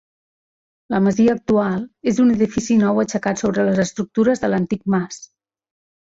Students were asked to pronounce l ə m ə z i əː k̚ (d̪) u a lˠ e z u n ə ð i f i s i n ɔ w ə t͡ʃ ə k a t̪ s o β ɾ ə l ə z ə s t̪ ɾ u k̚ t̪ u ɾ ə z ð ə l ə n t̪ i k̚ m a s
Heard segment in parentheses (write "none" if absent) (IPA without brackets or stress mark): t̪